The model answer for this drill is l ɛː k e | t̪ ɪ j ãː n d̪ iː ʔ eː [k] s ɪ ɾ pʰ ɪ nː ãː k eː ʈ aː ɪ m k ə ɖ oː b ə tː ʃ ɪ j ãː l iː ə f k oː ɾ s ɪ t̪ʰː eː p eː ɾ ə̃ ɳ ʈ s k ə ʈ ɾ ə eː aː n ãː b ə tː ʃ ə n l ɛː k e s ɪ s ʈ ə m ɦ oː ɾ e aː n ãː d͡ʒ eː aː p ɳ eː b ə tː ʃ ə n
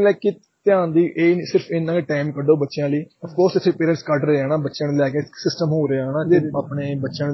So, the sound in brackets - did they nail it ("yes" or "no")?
no